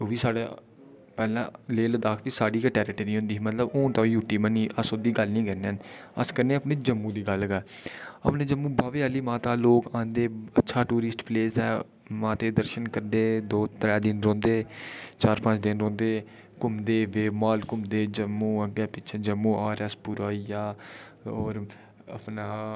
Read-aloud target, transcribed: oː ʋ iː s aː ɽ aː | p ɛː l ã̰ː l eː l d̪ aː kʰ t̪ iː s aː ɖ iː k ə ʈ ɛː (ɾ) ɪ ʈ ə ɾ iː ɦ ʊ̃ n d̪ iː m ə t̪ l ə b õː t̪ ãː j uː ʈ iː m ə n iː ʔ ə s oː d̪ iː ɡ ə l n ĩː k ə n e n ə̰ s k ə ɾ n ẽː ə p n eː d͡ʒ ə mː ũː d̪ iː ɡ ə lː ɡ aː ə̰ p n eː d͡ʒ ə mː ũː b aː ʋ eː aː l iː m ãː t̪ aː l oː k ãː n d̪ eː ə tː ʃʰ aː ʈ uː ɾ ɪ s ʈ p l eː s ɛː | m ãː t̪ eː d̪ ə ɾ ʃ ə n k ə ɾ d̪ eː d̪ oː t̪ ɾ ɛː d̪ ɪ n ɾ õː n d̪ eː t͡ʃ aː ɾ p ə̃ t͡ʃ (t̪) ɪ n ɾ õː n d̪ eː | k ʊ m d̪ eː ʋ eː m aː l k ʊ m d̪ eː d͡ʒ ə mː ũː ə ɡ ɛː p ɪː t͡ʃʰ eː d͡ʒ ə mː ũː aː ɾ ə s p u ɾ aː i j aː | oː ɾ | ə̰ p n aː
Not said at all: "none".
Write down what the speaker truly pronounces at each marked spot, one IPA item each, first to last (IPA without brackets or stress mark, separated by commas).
ɾ, d̪